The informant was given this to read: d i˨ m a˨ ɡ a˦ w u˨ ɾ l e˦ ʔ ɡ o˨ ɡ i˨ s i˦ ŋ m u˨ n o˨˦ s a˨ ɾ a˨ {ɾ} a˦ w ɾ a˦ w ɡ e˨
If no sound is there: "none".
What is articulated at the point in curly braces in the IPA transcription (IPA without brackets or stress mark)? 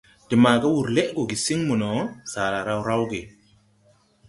ɾ